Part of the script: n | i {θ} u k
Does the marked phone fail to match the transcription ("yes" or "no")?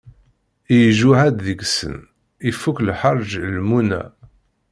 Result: yes